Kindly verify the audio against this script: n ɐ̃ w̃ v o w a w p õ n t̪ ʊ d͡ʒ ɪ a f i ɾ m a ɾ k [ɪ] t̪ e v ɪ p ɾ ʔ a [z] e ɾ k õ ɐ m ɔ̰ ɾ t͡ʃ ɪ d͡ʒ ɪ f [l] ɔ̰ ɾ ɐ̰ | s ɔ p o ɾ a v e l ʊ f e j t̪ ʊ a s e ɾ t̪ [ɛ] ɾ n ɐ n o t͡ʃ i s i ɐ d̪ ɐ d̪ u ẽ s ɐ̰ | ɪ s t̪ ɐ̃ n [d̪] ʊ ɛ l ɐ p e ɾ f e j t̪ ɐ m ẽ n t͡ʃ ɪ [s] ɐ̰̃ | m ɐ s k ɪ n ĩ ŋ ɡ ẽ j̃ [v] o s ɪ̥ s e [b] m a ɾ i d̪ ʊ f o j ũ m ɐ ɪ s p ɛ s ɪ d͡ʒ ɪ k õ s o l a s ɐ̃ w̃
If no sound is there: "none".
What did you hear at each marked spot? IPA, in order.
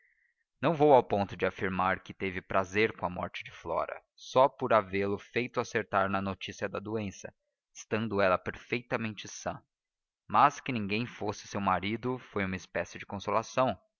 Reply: ɪ, z, l, a, d̪, s, f, w

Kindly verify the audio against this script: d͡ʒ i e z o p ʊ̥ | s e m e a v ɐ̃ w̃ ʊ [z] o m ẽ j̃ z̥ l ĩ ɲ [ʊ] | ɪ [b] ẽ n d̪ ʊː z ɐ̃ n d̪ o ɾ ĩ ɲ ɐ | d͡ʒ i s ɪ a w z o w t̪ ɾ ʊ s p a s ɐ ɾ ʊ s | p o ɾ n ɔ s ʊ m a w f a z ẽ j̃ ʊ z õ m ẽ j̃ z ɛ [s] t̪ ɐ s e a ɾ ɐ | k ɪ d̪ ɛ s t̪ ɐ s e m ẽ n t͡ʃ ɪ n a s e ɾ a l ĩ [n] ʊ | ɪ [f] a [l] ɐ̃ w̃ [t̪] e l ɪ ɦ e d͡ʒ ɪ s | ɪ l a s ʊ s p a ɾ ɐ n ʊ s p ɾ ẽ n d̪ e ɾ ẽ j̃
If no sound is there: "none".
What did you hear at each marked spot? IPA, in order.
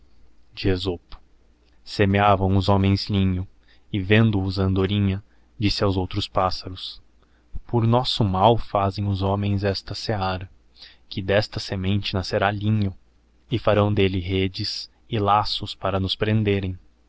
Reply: z, ʊ, v, s, ɲ, f, ɾ, d̪

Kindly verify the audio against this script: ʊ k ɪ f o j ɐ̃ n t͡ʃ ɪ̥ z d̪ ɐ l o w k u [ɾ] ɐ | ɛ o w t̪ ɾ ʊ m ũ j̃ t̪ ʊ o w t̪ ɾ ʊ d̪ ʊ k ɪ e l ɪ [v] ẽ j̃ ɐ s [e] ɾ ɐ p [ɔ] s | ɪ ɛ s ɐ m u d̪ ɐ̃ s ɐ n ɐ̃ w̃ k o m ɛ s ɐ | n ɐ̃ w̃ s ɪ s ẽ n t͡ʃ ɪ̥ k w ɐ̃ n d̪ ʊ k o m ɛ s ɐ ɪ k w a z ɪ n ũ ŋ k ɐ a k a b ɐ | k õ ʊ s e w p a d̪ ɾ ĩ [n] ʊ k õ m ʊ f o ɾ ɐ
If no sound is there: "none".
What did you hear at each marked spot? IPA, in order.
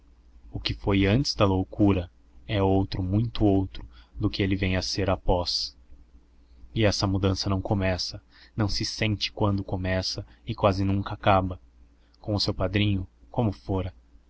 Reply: ɾ, v, e, ɔ, ɲ

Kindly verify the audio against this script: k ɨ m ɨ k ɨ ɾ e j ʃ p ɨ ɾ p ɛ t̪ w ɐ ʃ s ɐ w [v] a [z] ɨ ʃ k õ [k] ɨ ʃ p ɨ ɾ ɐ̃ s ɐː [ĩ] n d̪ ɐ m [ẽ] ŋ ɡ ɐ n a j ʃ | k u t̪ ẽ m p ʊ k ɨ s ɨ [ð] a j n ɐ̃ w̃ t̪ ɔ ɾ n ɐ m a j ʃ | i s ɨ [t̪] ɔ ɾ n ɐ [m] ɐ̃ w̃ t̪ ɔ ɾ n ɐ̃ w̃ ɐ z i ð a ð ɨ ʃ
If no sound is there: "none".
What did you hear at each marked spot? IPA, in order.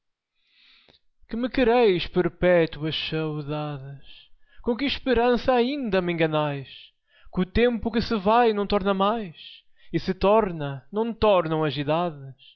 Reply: ð, ð, k, ĩ, ẽ, v, t̪, n

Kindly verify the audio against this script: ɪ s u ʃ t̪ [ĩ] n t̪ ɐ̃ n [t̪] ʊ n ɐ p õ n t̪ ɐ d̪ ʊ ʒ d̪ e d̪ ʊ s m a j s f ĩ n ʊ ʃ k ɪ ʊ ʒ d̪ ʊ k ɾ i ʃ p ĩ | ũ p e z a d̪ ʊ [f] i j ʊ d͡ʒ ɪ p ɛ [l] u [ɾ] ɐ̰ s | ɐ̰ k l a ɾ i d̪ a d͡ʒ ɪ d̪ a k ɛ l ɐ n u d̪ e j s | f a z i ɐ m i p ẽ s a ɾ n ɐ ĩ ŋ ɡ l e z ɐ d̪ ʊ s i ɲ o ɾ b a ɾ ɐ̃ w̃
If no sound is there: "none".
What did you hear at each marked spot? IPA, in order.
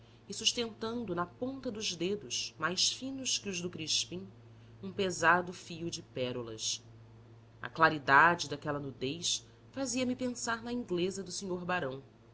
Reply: ẽ, d̪, f, ɾ, l

